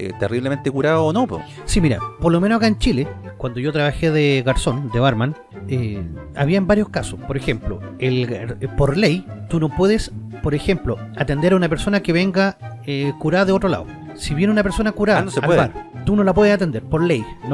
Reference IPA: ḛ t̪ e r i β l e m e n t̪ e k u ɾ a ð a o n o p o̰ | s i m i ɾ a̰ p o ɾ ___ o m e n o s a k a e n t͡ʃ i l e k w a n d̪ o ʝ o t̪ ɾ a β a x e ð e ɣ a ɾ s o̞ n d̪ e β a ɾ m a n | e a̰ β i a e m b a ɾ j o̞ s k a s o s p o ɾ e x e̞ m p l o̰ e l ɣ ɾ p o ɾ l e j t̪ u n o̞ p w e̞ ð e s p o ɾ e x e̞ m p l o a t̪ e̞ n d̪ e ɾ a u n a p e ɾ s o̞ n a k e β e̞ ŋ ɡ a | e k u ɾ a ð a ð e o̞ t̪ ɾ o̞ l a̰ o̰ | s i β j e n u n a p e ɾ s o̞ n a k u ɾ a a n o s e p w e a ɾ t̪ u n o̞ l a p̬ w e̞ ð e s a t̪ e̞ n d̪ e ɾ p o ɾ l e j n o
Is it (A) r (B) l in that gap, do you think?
B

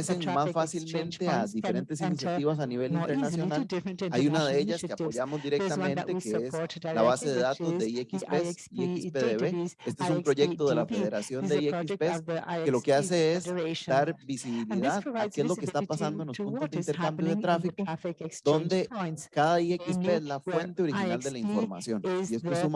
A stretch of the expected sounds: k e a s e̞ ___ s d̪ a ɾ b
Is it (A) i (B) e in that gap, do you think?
B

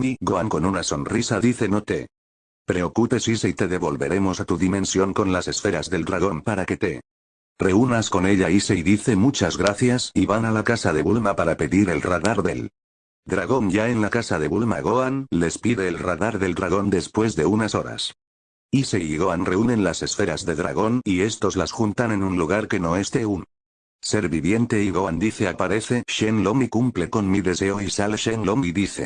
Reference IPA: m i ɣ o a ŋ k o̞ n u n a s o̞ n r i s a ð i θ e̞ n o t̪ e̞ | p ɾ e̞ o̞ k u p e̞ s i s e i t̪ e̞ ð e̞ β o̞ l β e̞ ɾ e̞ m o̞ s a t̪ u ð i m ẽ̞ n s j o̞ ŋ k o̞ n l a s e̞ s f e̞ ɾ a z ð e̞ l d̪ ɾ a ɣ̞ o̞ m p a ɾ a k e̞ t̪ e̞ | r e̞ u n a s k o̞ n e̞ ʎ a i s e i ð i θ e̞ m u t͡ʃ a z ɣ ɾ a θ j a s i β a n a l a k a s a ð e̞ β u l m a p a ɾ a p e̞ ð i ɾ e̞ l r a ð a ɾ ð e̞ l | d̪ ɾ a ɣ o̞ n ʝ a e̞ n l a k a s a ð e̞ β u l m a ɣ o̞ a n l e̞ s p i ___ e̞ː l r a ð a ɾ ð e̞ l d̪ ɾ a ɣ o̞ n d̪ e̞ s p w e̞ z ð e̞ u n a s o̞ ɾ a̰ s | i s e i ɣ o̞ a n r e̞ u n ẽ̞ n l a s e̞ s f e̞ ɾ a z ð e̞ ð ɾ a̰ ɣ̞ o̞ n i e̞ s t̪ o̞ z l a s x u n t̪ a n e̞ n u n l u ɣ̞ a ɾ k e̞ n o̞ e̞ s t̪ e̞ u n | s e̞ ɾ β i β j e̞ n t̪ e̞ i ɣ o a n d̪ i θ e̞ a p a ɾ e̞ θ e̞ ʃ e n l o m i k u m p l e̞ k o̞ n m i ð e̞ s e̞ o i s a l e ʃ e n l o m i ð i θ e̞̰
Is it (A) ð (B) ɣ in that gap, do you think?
A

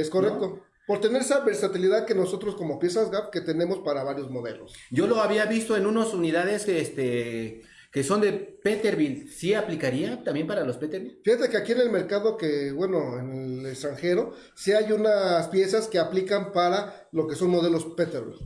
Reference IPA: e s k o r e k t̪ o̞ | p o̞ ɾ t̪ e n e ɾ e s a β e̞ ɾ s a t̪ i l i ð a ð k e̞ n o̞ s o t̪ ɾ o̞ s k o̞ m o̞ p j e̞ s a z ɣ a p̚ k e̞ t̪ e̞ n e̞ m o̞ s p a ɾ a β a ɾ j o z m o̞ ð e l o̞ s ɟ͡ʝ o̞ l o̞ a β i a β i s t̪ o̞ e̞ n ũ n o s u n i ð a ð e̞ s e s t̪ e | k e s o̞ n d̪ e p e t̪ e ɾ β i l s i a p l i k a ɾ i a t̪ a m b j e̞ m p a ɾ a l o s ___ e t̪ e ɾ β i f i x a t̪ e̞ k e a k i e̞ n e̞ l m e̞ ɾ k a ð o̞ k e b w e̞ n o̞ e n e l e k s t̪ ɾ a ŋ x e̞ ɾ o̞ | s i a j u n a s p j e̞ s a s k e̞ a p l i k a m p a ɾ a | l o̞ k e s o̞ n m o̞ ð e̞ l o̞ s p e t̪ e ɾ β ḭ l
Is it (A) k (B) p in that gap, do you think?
B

